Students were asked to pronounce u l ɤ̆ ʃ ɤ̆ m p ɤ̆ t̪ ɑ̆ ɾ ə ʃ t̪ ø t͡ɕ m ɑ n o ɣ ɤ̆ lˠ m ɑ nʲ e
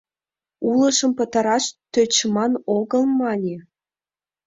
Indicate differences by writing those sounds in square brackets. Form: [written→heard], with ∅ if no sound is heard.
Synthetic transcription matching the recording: u l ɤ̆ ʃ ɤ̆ m p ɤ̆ t̪ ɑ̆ ɾ [ə→ɑ] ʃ t̪ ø t͡ɕ m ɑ n o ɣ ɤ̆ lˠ m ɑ nʲ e